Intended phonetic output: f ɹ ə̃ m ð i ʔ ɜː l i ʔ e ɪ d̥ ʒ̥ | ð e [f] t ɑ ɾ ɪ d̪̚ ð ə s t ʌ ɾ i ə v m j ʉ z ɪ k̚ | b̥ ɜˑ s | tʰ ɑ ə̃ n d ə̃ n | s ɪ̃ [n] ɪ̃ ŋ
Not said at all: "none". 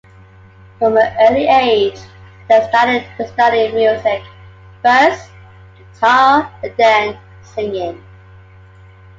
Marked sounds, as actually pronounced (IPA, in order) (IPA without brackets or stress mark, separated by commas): s, ŋ